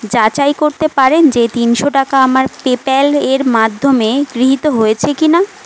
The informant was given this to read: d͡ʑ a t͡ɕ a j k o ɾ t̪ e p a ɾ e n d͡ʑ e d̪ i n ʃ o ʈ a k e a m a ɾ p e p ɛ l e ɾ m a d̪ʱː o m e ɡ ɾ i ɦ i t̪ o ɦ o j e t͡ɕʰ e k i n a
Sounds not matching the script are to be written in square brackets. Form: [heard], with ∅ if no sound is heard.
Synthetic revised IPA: d͡ʑ a t͡ɕ a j k o ɾ t̪ e p a ɾ e n d͡ʑ e [t̪] i n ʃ o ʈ a k [a] a m a ɾ p e p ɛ l e ɾ m a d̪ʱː o m e ɡ ɾ i ɦ i t̪ o ɦ o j e t͡ɕʰ e k i n a